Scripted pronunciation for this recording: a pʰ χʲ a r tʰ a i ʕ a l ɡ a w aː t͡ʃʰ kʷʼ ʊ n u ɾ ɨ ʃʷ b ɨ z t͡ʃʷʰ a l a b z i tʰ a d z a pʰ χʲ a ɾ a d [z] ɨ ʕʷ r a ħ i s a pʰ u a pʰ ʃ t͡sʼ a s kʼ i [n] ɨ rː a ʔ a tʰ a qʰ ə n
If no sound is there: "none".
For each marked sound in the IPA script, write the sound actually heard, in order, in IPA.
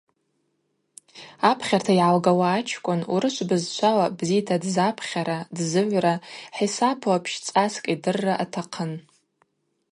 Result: z, d

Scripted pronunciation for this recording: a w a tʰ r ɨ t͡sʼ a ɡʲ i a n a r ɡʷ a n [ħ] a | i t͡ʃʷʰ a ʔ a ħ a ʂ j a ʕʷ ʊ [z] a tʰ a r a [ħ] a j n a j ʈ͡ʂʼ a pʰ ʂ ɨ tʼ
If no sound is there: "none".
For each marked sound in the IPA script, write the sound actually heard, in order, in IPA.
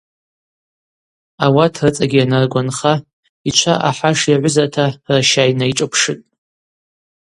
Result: χ, z, ʃ

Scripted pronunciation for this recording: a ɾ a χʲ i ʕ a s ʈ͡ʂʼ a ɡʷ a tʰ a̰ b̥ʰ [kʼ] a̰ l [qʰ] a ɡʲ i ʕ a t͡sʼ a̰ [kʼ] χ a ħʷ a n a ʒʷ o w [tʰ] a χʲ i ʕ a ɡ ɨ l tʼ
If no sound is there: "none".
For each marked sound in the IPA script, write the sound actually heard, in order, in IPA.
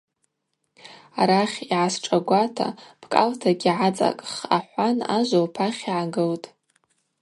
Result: kʼ, tʰ, kʼ, pʰ

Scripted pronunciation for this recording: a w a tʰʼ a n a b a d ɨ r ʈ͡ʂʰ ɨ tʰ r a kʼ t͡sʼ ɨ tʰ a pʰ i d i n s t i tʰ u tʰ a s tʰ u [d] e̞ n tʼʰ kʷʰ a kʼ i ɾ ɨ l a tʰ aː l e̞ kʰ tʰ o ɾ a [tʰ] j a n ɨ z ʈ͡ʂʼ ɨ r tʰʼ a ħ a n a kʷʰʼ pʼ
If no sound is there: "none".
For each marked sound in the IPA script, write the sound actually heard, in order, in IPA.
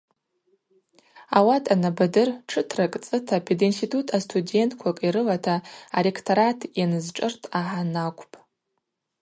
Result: d, tʰ

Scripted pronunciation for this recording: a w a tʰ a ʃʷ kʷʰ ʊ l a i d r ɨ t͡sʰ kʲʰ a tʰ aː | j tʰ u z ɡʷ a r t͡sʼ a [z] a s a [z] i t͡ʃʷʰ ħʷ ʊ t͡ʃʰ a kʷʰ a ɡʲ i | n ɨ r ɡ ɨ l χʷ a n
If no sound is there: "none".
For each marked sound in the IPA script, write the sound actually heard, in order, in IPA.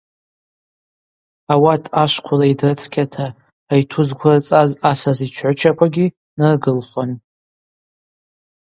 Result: z, z

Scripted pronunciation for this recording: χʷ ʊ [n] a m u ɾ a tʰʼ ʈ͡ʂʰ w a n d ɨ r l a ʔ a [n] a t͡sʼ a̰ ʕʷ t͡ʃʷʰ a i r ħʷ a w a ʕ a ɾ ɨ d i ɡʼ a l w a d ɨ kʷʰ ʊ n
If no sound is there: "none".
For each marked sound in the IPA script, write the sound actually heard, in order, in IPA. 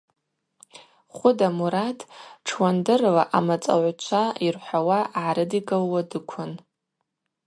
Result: d, m

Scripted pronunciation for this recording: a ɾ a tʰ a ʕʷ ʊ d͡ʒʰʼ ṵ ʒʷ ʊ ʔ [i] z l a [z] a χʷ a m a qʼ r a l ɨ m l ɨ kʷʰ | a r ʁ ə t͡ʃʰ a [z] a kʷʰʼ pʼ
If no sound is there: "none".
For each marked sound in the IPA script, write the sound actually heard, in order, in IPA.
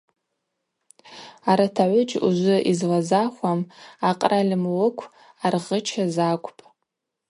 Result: i, z, z

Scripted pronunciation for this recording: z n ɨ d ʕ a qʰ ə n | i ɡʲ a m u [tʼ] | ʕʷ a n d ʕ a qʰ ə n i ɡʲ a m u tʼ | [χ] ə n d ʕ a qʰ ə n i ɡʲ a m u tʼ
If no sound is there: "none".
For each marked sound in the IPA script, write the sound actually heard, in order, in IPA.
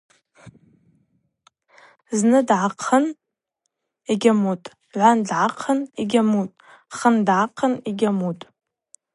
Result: tʼ, χ

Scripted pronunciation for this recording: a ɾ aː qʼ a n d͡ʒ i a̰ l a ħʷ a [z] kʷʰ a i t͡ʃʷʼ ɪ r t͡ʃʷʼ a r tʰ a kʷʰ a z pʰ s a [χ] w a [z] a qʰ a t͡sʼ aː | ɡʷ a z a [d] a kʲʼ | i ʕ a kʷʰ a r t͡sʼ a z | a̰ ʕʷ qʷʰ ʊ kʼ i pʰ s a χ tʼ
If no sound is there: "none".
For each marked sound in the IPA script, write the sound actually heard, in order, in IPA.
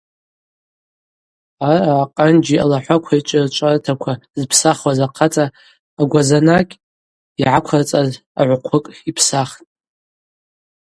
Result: none, χ, z, n

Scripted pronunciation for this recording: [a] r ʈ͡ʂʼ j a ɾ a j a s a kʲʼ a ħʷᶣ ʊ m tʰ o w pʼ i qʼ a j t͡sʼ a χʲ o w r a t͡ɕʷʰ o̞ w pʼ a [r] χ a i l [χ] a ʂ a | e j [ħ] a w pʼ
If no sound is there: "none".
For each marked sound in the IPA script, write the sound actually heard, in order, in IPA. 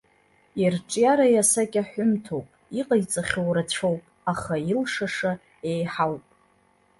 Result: i, none, ʂ, ħ

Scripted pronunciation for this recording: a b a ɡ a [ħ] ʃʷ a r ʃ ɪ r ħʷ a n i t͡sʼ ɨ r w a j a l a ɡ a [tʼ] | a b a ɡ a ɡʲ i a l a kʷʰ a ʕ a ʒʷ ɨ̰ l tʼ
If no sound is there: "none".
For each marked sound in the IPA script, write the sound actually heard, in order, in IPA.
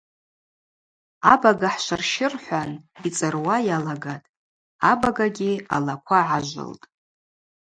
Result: ħ, tʼ

